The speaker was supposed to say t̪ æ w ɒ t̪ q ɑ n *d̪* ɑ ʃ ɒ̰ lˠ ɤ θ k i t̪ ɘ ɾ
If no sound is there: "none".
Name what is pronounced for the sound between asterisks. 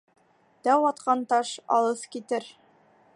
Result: t̪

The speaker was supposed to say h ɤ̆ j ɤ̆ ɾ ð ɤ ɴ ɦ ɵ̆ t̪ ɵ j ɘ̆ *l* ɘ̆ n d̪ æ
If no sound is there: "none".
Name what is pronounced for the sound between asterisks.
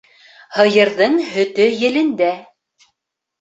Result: l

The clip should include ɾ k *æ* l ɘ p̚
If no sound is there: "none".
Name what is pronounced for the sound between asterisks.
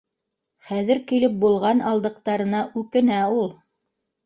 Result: i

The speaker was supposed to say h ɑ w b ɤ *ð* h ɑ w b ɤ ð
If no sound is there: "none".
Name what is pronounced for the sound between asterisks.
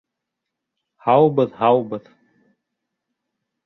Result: ð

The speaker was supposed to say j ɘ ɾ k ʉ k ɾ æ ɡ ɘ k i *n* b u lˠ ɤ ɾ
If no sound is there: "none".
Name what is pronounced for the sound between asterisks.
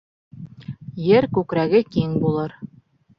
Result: ŋ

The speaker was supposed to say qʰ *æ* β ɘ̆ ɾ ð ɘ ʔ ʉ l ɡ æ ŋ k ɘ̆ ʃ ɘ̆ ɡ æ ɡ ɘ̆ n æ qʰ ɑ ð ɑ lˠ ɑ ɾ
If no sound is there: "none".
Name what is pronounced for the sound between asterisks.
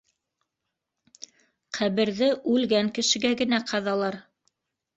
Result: æ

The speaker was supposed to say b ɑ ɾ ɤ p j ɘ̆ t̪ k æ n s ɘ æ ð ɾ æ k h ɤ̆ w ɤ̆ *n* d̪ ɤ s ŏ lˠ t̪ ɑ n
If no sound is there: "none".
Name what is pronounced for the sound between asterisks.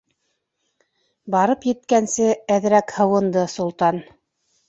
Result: n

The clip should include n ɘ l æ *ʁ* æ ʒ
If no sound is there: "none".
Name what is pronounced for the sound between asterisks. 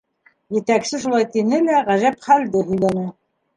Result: ʁ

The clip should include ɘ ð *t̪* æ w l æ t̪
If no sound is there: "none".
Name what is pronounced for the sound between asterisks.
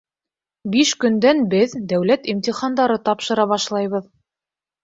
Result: d̪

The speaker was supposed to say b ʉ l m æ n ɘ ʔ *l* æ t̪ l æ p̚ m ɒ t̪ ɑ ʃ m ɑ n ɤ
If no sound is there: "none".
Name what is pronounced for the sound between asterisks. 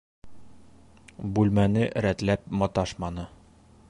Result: ɾ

